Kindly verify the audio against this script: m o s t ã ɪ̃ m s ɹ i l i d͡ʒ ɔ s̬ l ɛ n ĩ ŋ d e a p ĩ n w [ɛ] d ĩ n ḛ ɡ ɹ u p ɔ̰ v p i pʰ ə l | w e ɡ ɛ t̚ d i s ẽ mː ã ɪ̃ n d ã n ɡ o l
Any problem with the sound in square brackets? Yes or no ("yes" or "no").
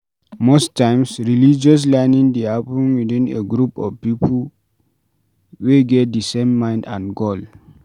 yes